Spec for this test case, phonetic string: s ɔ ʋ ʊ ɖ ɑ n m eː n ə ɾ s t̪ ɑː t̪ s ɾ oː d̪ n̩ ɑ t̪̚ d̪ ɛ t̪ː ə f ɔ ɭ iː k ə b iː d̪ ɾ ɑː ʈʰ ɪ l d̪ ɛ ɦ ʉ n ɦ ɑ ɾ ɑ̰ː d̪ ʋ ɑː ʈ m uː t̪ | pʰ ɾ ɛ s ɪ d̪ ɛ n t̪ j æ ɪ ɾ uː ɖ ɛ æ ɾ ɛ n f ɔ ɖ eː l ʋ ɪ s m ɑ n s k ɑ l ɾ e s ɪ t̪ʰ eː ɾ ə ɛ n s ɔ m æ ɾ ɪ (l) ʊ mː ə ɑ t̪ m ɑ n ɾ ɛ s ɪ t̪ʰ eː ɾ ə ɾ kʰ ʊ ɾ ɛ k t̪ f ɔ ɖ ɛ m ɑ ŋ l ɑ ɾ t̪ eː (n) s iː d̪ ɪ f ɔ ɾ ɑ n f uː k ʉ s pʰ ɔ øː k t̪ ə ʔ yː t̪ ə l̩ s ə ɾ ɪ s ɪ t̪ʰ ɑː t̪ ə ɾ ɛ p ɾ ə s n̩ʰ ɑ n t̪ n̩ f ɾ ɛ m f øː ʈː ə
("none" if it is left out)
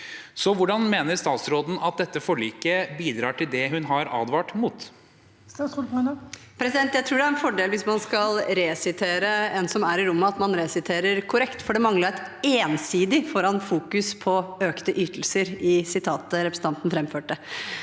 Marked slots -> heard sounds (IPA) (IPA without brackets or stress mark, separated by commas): ɾ, n